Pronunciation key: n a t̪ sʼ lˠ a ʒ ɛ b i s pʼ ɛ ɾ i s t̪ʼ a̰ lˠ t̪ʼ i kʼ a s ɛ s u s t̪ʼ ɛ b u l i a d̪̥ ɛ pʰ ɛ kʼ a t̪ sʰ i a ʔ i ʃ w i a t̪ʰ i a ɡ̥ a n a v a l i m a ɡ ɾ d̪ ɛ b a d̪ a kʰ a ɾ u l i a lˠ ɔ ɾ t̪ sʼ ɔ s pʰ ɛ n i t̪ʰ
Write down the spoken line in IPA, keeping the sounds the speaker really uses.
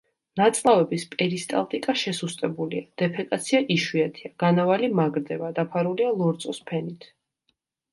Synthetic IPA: n a t̪ sʼ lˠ a v ɛ b i s pʼ ɛ ɾ i s t̪ʼ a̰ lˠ t̪ʼ i kʼ a ʃ ɛ s u s t̪ʼ ɛ b u l i a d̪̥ ɛ pʰ ɛ kʼ a t̪ sʰ i a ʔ i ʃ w i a t̪ʰ i a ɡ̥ a n a v a l i m a ɡ ɾ d̪ ɛ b a d̪ a pʰ a ɾ u l i a lˠ ɔ ɾ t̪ sʼ ɔ s pʰ ɛ n i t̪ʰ